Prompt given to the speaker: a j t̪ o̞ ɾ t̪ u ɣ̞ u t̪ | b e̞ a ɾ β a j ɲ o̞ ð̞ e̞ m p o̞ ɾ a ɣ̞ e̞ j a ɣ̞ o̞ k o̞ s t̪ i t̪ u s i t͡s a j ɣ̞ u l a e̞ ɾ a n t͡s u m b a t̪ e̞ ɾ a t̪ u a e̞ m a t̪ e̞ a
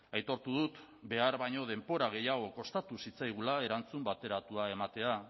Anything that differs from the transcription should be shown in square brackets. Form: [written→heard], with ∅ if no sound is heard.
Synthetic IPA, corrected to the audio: a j t̪ o̞ ɾ t̪ u [ɣ̞→ð̞] u t̪ | b e̞ a ɾ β a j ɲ o̞ ð̞ e̞ m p o̞ ɾ a ɣ̞ e̞ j a ɣ̞ o̞ k o̞ s t̪ [i→a] t̪ u s i t͡s a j ɣ̞ u l a e̞ ɾ a n t͡s u m b a t̪ e̞ ɾ a t̪ u a e̞ m a t̪ e̞ a